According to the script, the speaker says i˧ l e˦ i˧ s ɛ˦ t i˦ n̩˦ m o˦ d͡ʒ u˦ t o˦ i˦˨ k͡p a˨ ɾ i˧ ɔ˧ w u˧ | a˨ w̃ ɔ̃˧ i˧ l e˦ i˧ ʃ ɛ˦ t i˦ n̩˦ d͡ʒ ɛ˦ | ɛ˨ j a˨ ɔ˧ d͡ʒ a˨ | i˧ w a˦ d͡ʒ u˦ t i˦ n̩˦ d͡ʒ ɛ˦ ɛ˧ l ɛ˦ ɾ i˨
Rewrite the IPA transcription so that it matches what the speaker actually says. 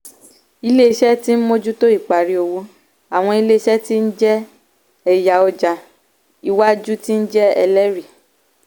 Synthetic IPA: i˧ l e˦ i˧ ʃ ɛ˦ t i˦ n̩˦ m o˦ d͡ʒ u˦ t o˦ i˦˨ k͡p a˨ ɾ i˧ o˧ w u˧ | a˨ w̃ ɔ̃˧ i˧ l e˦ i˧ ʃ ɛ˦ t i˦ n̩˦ d͡ʒ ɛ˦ | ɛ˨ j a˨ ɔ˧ d͡ʒ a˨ | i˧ w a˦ d͡ʒ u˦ t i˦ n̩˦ d͡ʒ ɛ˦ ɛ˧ l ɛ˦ ɾ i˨